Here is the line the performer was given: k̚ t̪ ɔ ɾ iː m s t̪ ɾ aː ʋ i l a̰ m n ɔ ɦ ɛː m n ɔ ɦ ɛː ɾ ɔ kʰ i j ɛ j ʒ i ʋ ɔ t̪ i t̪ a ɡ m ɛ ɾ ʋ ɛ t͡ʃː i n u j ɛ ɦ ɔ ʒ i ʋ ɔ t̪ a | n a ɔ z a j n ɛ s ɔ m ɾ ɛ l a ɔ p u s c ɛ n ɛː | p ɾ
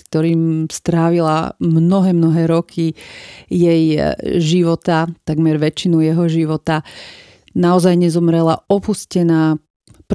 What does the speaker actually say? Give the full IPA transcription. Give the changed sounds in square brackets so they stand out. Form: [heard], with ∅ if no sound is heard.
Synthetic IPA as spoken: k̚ t̪ ɔ ɾ iː m s t̪ ɾ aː ʋ i l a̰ m n ɔ ɦ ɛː m n ɔ ɦ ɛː ɾ ɔ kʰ i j ɛ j ʒ i ʋ ɔ t̪ [a] t̪ a ɡ m ɛ ɾ ʋ ɛ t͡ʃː i n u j ɛ ɦ ɔ ʒ i ʋ ɔ t̪ a | n a ɔ z a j [ɲ] ɛ [z] ɔ m ɾ ɛ l a ɔ p u s c ɛ n [aː] | p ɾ